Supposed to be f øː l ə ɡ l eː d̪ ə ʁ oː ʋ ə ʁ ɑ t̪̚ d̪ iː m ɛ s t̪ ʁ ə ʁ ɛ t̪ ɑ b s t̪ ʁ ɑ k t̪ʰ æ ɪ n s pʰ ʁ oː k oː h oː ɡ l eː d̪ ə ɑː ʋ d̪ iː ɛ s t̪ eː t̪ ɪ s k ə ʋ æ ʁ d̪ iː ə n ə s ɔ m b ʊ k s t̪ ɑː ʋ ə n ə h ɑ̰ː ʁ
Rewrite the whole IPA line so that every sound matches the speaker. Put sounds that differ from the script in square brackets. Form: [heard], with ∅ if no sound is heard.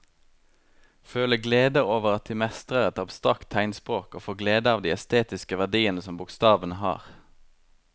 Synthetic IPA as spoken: f øː l ə ɡ l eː d̪ ə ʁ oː ʋ ə ʁ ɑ t̪̚ d̪ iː m ɛ s t̪ ʁ ə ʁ ɛ t̪ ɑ b s t̪ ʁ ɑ k t̪ʰ æ ɪ n s [p] ʁ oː k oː [f] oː ɡ l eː d̪ ə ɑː ʋ d̪ iː ɛ s t̪ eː t̪ ɪ s k ə ʋ æ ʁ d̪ iː ə n ə s ɔ m b ʊ k s t̪ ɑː ʋ ə n ə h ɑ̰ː ʁ

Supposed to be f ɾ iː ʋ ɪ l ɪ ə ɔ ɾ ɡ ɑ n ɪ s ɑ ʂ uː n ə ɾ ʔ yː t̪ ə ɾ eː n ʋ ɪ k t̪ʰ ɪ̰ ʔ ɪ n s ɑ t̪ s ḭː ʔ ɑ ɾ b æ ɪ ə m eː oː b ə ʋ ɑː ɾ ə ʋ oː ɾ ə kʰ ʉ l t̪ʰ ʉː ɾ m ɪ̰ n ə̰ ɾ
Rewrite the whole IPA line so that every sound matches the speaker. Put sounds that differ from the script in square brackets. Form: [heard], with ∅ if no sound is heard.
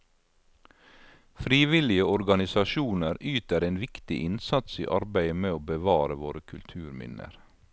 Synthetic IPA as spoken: f ɾ iː ʋ ɪ l ɪ ə ɔ ɾ ɡ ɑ n ɪ s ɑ [ʃ] uː n ə ɾ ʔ yː t̪ ə ɾ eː n ʋ ɪ k [t̪] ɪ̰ ʔ ɪ n s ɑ t̪ s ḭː ʔ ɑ ɾ b æ ɪ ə m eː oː b ə ʋ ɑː ɾ ə ʋ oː ɾ ə kʰ ʉ l t̪ʰ ʉː ɾ m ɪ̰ n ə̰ ɾ

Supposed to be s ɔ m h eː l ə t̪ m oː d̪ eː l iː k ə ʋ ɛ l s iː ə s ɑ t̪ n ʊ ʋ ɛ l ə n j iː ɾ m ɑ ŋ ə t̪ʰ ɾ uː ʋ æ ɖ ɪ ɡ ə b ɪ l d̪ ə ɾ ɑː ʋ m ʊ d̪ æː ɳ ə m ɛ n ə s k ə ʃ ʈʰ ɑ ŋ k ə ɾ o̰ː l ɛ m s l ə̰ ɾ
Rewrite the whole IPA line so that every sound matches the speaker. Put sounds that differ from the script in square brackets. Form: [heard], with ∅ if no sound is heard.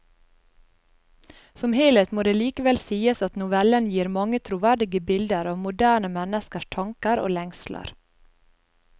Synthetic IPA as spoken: s ɔ m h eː l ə t̪ m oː d̪ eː l iː k ə ʋ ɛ l s iː ə s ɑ t̪ n ʊ ʋ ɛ l ə n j iː ɾ m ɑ ŋ ə t̪ʰ ɾ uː ʋ æ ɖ ɪ ɡ ə b ɪ l d̪ ə ɾ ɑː ʋ m ʊ d̪ æː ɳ ə m ɛ n ə s k ə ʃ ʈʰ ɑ ŋ k ə ɾ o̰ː l ɛ [ŋ] s l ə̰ ɾ

